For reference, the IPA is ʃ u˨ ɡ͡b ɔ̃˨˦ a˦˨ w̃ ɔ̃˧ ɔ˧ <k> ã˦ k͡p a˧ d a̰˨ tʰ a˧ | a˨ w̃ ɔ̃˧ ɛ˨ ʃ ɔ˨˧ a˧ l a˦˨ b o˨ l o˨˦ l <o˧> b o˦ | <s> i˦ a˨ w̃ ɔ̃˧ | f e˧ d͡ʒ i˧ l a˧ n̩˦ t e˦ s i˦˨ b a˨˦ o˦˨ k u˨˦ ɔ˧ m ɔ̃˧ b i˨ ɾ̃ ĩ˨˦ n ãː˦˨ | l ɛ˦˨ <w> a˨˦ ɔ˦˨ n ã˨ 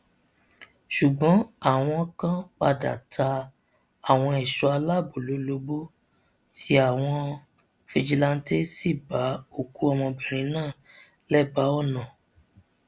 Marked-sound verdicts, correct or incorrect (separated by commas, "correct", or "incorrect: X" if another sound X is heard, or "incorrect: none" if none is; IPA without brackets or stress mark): correct, correct, incorrect: t, incorrect: b